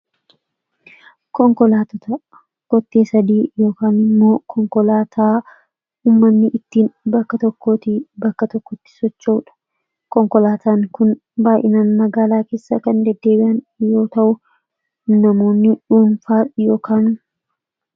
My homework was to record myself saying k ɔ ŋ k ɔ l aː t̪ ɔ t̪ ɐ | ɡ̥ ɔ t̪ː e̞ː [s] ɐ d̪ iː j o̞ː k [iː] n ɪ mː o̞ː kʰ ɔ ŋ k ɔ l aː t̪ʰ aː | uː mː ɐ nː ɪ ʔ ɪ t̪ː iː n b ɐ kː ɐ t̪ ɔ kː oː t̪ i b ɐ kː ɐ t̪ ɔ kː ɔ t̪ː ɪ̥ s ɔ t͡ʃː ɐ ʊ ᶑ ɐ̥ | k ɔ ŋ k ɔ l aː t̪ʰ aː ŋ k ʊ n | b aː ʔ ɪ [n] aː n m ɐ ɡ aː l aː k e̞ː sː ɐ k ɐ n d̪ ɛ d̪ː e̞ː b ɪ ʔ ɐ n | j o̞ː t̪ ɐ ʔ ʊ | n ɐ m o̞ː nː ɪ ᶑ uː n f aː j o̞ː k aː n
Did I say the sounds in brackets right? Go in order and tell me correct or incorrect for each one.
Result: correct, incorrect: aː, correct

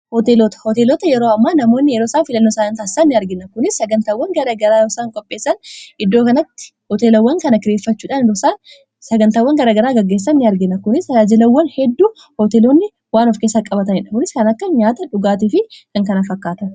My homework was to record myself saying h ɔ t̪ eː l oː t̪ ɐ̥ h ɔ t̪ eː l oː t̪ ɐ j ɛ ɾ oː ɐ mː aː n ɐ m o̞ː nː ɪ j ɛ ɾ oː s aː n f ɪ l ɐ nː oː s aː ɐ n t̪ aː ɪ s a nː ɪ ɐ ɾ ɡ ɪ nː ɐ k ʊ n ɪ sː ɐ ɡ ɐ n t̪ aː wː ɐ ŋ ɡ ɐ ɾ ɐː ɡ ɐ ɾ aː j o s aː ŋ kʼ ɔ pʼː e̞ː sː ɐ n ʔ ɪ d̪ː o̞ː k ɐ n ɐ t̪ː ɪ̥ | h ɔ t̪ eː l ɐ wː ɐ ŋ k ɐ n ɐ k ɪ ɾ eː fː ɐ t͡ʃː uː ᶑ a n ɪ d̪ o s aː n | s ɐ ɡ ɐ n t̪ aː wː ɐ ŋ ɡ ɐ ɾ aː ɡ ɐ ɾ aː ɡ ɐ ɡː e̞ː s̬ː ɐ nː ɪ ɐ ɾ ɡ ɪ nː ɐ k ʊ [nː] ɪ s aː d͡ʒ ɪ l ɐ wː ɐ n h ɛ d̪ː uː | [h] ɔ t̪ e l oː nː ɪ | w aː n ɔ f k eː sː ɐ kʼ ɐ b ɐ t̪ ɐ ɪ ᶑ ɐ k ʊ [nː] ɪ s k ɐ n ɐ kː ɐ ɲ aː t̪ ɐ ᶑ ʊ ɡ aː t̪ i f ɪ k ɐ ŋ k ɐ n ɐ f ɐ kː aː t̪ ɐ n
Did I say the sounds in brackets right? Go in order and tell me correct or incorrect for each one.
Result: incorrect: n, correct, incorrect: n

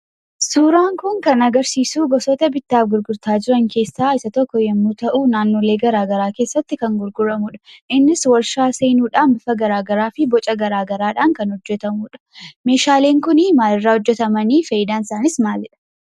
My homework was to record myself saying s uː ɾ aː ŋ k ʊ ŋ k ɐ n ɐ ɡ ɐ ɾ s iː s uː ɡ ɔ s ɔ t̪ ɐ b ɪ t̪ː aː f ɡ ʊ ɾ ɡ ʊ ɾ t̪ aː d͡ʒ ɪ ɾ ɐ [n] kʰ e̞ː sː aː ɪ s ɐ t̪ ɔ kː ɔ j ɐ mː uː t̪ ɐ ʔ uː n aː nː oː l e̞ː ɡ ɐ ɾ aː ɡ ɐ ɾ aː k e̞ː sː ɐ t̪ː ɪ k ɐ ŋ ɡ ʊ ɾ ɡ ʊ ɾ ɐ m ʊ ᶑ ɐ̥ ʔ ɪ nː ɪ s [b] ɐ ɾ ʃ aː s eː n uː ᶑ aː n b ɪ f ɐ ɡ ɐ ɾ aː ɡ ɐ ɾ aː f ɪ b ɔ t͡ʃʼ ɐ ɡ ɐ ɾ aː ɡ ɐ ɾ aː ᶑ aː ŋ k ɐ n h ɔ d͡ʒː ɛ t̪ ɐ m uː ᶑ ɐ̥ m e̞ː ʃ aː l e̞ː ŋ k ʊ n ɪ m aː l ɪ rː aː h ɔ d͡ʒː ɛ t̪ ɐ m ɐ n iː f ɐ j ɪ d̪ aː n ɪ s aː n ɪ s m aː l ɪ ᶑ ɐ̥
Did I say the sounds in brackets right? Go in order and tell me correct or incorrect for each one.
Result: incorrect: ŋ, incorrect: w

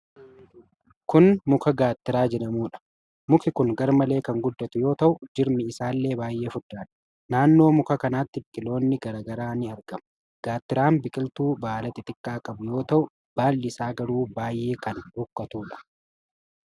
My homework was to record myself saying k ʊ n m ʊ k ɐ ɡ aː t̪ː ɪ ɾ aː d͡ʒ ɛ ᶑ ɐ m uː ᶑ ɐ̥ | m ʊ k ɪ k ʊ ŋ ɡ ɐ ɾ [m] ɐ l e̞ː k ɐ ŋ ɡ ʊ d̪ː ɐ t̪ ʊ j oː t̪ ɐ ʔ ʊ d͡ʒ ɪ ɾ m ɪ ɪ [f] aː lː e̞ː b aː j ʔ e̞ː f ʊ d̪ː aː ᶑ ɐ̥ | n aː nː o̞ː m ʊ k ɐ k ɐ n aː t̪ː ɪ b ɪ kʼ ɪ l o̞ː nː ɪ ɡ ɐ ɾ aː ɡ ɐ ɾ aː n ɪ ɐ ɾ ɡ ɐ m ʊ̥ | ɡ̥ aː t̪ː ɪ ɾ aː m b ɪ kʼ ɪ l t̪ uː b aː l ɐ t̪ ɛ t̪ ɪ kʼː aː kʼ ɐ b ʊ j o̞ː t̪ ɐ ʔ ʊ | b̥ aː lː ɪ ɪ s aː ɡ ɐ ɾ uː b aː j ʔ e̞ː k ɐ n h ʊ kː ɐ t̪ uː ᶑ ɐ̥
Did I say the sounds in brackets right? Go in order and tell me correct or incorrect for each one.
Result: correct, incorrect: s

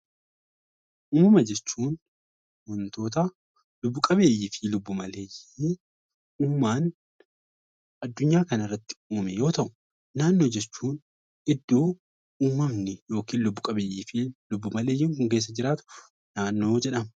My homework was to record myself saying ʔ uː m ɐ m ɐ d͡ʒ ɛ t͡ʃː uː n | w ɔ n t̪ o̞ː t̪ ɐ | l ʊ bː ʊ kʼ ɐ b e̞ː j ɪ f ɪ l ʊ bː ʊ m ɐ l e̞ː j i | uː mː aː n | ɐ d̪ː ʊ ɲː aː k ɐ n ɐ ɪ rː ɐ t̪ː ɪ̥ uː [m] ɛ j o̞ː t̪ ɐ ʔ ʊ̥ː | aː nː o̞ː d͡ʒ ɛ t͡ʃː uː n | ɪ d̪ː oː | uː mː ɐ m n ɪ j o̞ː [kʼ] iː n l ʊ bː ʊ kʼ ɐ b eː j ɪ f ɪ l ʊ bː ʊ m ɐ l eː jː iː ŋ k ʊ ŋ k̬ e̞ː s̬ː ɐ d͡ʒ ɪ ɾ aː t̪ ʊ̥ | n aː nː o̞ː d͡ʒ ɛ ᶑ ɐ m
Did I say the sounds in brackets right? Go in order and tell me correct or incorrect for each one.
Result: correct, incorrect: k

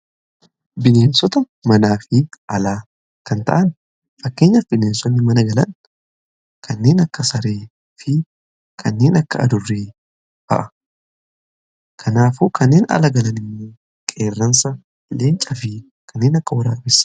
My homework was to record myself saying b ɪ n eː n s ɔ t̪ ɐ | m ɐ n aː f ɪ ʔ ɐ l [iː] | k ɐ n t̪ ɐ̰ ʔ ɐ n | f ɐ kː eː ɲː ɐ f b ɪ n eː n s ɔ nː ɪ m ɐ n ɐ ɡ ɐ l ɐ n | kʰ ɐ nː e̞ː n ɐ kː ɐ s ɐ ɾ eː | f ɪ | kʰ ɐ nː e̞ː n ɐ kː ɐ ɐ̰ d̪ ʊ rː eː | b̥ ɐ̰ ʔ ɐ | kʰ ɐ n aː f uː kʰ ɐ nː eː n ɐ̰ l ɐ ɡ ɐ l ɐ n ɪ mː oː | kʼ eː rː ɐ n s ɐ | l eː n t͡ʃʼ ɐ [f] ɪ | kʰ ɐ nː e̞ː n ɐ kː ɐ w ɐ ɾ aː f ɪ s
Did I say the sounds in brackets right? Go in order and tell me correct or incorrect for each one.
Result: incorrect: aː, correct

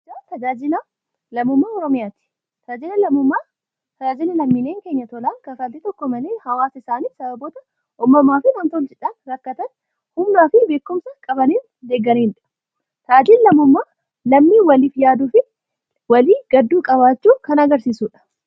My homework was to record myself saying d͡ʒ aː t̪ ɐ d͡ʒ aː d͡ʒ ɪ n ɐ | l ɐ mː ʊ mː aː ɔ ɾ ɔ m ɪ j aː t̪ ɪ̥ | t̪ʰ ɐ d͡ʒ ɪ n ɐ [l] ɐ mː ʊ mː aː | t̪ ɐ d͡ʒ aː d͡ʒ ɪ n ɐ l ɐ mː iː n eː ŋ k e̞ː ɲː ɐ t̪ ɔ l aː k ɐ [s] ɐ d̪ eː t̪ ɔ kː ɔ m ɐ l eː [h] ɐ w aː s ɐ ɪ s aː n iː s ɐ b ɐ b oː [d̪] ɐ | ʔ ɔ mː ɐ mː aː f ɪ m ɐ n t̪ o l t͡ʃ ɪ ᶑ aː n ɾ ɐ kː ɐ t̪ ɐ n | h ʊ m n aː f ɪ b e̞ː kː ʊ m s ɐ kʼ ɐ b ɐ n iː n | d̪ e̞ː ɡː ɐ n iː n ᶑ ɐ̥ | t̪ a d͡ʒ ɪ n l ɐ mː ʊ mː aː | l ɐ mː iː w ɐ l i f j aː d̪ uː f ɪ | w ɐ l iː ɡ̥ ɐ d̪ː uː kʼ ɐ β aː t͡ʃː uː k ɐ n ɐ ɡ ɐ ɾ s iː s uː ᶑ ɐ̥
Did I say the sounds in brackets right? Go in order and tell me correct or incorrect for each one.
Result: correct, incorrect: f, correct, incorrect: t̪

